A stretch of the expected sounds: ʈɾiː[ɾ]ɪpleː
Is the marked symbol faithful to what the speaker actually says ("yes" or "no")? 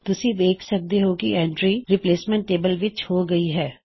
yes